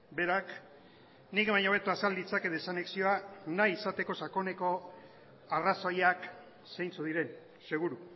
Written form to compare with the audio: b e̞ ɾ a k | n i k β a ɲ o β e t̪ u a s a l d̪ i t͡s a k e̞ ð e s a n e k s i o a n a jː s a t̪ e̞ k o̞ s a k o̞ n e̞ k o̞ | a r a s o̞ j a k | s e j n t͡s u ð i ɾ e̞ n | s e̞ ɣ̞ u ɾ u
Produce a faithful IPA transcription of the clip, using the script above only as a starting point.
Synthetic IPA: b e̞ ɾ a k | n i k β a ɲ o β e t̪ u a s a l d̪ i t͡s a k e̞ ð e s a n e k s i o a n a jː s a t̪ e̞ k o̞ s a k o̞ n e̞ k o̞ | a r a s o̞ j a k | s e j n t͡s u ð i ɾ e̞ n | s e̞ ɣ̞ u ɾ u